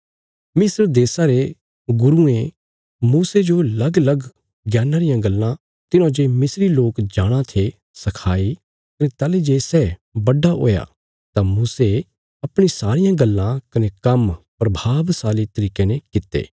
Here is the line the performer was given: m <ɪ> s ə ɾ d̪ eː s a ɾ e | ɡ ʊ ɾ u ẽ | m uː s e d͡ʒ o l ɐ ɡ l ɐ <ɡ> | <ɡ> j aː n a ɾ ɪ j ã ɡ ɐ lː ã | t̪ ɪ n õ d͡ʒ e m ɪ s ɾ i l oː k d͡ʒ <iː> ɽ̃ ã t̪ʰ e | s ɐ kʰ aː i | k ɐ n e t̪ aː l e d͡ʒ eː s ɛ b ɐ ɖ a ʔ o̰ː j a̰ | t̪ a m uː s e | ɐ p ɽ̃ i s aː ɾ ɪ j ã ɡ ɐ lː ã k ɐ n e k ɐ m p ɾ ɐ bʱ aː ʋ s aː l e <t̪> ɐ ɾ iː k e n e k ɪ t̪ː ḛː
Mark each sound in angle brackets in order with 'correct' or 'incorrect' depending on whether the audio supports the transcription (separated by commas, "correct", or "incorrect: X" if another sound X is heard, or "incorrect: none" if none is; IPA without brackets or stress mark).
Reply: correct, correct, correct, incorrect: aː, correct